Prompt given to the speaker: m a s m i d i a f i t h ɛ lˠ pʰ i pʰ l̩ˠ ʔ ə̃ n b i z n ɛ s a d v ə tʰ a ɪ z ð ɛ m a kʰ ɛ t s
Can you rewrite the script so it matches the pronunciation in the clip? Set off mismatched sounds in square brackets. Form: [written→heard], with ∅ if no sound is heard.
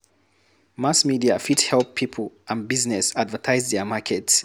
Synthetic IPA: m a s m i d i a f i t h ɛ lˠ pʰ i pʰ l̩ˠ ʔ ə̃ n b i z n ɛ s a d v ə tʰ a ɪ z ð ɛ m a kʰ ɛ t s